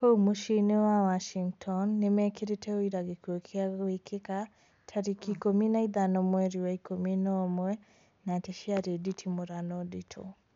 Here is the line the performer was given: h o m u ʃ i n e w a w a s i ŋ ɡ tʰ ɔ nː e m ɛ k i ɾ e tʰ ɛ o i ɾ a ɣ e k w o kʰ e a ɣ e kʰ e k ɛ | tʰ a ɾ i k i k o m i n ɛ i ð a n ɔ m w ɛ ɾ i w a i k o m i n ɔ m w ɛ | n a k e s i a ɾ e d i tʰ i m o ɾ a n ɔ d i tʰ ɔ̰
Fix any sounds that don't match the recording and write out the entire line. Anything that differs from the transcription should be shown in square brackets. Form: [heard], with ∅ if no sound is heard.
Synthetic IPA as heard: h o m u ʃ i n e w a w a [ʃ] i ŋ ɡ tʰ ɔ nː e m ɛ k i ɾ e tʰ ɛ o i ɾ a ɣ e k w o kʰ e a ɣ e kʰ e k [a] | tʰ a ɾ i k i k o m i n [a] i ð a n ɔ m w ɛ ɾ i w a i k o m i n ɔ m w ɛ | n a [t] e [ʃ] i a ɾ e d i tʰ i m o ɾ a n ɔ d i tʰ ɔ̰